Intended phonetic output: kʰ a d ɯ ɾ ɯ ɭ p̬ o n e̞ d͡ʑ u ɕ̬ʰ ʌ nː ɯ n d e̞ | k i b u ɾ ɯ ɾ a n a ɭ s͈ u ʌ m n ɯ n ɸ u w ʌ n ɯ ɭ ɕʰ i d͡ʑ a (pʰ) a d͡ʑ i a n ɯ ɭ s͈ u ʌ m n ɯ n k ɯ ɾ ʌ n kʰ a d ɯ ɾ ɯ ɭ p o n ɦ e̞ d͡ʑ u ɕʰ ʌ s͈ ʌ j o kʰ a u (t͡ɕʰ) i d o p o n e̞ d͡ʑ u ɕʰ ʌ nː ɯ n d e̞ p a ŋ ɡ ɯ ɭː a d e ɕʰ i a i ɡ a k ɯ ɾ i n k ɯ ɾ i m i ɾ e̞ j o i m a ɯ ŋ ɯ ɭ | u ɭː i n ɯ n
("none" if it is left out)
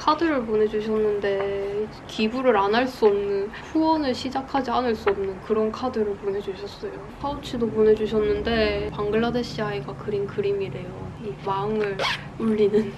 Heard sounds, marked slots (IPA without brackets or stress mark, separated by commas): kʰ, t͡ɕʰ